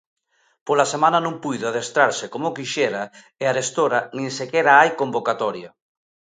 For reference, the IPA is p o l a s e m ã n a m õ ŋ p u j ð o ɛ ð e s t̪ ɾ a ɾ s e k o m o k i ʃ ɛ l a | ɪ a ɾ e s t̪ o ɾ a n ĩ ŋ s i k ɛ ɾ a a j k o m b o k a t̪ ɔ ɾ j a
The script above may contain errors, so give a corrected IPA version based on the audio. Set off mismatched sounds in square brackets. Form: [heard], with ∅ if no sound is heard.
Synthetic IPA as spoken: p o l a s e m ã n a [n] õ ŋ p u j ð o [a] ð e s t̪ ɾ a ɾ s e k o m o k i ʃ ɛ [ɾ] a | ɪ a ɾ e s t̪ o ɾ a n ĩ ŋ s [e] k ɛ ɾ a a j k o m b o k a t̪ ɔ ɾ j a